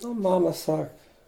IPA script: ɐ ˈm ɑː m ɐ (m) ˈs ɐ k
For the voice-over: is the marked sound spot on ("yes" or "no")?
no